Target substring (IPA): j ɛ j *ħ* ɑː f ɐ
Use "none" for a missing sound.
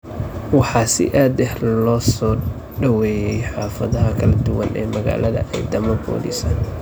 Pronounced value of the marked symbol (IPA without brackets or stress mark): ħ